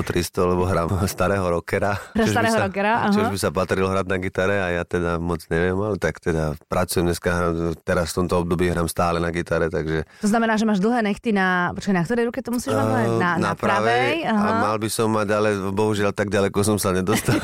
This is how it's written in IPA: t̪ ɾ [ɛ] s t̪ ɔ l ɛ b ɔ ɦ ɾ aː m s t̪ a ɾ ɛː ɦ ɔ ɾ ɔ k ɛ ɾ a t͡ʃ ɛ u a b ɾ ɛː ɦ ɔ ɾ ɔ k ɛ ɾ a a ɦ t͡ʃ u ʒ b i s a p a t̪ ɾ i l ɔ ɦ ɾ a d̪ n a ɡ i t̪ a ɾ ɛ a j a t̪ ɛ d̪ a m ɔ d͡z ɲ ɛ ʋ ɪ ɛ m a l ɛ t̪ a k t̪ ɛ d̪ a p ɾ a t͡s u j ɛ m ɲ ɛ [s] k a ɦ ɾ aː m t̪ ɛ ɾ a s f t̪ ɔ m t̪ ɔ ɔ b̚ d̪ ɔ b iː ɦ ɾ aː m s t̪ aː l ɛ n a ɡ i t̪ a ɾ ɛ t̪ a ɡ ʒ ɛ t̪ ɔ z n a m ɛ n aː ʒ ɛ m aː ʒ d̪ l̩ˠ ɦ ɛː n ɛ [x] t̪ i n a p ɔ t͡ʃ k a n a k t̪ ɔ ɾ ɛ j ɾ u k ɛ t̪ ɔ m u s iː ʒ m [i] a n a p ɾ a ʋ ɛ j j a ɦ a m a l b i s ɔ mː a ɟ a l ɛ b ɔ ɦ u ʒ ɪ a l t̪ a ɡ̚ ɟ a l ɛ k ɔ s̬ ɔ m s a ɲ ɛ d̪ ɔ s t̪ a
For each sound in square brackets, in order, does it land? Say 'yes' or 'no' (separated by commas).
no, yes, yes, no